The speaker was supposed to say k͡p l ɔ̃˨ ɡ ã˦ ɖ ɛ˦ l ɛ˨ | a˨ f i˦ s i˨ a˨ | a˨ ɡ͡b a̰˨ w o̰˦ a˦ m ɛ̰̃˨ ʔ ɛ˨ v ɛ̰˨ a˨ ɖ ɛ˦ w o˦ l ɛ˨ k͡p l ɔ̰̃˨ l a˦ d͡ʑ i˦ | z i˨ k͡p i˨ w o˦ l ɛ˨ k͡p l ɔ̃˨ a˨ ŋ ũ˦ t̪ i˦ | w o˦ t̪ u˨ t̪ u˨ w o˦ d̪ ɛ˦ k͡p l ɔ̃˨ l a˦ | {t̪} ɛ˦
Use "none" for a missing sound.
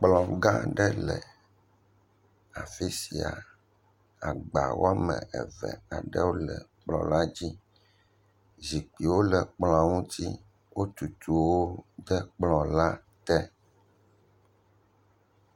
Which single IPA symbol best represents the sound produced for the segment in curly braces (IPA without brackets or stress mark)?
t̪